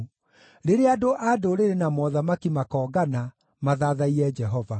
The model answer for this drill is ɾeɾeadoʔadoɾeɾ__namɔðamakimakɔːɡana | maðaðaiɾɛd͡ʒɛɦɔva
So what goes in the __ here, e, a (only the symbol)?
e